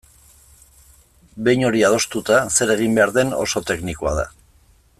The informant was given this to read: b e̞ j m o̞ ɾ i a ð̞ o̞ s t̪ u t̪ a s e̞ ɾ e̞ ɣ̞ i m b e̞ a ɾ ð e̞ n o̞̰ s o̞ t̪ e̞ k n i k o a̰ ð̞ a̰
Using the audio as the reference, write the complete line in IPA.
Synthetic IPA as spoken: b e̞ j ɲ o̞ ɾ i a ð̞ o̞ s t̪ u t̪ a s e̞ ɾ e̞ ɣ̞ i m b e̞ a ɾ ð e̞ n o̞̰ s o̞ t̪ e̞ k n i k o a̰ ð̞ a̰